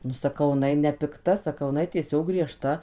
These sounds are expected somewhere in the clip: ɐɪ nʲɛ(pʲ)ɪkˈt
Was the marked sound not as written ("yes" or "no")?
no